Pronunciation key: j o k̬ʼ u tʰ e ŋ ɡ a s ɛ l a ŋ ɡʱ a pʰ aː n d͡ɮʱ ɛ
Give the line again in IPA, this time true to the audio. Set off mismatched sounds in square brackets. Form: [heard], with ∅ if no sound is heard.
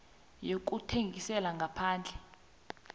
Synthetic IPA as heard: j o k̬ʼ u tʰ e ŋ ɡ [i] s ɛ l a ŋ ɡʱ a pʰ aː n d͡ɮʱ ɛ